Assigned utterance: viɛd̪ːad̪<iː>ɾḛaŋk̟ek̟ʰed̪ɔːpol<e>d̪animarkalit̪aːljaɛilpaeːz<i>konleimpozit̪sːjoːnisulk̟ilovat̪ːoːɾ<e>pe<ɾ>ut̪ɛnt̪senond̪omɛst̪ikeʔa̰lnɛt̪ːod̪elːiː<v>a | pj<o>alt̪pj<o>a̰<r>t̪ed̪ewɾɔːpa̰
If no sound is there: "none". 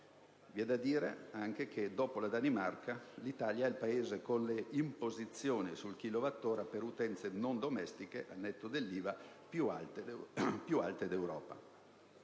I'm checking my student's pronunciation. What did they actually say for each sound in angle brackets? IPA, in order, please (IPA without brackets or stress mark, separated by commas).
iː, a, e, a, ɾ, v, u, u, l